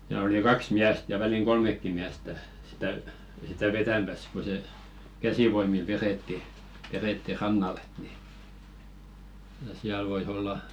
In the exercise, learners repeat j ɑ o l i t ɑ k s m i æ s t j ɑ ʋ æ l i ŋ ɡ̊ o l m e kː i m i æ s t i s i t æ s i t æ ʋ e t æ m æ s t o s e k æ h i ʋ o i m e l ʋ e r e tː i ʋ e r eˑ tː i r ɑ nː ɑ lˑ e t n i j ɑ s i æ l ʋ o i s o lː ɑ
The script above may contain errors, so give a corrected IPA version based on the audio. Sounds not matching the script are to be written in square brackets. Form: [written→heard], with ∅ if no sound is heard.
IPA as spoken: j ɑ o l i [t→k] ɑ k s m i æ s t j ɑ ʋ æ l i ŋ ɡ̊ o l m e kː i m i æ s t [i→æ] s i t æ s i t æ ʋ e t æ m æ s [t→k] o s e k æ [h→s] i ʋ o i m [e→i] l ʋ e r e tː i ʋ e r eˑ tː i r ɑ nː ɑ lˑ e t n i j ɑ s i æ l ʋ o i s o lː ɑ